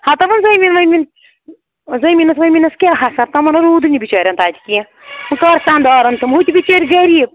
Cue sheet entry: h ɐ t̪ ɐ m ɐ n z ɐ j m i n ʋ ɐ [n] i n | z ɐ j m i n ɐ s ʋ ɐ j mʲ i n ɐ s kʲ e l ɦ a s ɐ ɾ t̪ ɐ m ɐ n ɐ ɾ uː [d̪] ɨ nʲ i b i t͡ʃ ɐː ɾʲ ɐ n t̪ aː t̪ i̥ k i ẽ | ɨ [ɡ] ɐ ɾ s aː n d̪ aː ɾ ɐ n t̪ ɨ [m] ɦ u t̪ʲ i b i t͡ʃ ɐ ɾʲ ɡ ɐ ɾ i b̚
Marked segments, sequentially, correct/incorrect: incorrect: m, correct, incorrect: k, correct

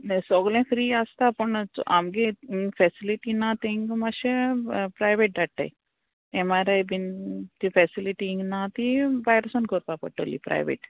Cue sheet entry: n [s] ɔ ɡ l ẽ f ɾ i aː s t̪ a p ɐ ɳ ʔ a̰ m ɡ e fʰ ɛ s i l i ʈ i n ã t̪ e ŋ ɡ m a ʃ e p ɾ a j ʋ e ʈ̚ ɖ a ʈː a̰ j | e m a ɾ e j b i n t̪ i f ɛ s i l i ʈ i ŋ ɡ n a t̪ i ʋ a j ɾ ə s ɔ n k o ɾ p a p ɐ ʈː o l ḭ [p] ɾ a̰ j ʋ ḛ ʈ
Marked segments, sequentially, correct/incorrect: correct, correct

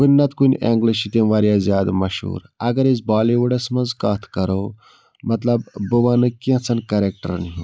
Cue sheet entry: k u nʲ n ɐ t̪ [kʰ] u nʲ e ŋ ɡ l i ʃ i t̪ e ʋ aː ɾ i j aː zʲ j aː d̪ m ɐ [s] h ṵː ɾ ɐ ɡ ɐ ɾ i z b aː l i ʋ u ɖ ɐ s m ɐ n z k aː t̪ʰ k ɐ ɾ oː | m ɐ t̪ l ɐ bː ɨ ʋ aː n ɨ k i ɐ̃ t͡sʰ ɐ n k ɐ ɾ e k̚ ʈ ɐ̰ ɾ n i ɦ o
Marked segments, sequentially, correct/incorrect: incorrect: k, incorrect: ʃ

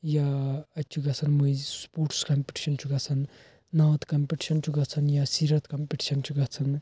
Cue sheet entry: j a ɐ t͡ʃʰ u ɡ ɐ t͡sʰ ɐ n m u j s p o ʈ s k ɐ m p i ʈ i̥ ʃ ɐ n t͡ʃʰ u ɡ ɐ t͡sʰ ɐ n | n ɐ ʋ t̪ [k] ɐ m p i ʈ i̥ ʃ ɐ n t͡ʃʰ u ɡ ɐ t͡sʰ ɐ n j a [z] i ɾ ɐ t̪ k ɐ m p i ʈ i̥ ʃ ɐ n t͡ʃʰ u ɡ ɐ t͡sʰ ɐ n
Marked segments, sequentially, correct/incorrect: correct, incorrect: s

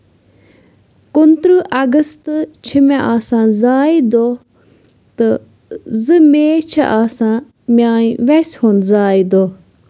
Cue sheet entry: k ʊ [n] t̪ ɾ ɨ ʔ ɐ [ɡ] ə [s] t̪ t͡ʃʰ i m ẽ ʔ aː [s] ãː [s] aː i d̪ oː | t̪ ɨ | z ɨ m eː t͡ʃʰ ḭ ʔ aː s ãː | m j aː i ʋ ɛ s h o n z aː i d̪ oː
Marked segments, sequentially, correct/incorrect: correct, correct, correct, correct, incorrect: z

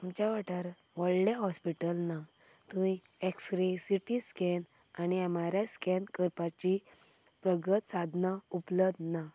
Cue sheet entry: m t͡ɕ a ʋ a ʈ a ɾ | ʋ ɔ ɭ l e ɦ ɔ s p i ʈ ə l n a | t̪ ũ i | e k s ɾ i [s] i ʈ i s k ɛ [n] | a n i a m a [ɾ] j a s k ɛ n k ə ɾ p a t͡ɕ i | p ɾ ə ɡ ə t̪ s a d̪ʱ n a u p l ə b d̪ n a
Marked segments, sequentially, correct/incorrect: correct, correct, correct

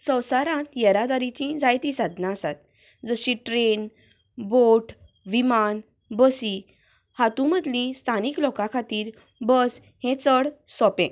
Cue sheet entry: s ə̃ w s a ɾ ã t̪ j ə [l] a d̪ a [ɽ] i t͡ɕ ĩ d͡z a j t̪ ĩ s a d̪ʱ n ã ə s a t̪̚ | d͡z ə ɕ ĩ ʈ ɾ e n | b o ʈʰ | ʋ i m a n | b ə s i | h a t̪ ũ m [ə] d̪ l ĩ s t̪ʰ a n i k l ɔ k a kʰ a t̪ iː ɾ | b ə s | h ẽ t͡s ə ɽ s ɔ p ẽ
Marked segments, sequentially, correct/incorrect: incorrect: ɾ, incorrect: ɾ, correct

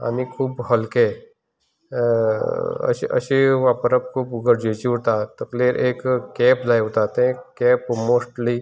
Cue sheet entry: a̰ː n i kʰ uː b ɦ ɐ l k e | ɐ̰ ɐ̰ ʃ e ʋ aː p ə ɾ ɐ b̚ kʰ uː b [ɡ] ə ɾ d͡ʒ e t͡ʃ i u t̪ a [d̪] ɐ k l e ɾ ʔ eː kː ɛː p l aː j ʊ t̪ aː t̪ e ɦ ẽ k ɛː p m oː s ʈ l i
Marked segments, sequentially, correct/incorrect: correct, incorrect: t̪

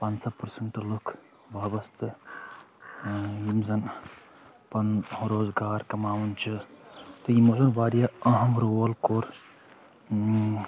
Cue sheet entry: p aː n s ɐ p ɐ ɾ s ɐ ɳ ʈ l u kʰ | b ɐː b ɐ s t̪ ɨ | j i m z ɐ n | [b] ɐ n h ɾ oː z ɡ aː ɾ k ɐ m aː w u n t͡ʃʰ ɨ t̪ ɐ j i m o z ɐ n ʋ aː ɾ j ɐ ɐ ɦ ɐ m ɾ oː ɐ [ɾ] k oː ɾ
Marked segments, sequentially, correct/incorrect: incorrect: p, incorrect: l

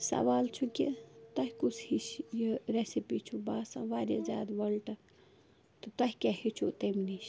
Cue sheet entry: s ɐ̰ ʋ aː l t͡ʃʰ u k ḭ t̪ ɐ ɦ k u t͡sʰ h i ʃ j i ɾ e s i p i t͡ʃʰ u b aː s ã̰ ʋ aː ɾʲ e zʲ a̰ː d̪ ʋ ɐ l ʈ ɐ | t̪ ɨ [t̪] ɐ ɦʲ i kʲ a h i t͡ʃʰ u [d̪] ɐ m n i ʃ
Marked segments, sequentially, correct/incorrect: correct, incorrect: t̪

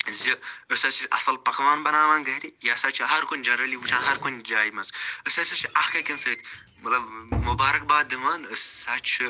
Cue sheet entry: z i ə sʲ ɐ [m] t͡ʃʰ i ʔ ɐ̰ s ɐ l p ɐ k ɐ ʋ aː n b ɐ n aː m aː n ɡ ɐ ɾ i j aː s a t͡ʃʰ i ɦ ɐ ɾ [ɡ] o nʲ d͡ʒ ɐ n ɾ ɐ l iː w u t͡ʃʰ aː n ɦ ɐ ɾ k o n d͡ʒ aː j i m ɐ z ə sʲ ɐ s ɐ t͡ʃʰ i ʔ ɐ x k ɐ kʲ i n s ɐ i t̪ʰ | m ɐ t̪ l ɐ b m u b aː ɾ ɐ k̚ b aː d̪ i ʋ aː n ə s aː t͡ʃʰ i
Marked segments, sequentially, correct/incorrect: incorrect: none, incorrect: k

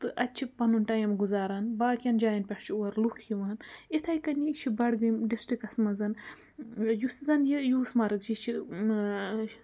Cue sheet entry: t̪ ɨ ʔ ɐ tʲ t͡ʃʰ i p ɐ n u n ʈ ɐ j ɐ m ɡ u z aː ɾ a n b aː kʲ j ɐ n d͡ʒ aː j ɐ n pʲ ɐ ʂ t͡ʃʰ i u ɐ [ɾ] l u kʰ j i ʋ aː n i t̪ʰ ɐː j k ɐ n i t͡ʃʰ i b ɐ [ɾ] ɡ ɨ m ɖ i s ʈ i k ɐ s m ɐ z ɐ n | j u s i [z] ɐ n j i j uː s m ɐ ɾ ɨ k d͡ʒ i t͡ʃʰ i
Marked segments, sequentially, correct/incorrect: correct, incorrect: ɽ, correct

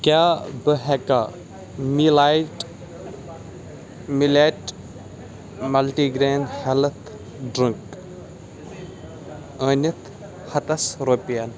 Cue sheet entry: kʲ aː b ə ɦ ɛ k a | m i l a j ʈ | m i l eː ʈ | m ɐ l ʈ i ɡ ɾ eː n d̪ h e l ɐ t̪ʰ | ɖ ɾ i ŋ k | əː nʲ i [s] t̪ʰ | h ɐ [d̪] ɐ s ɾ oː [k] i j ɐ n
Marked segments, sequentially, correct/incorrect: incorrect: none, incorrect: t̪, incorrect: p

